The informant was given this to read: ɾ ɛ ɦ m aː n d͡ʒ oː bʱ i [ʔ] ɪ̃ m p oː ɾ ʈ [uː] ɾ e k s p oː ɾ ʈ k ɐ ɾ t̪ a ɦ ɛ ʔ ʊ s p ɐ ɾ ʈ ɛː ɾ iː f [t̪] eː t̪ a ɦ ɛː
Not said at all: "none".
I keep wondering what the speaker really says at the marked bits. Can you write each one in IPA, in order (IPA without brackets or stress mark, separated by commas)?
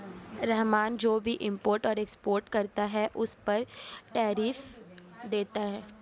ʔ, ɔː, d̪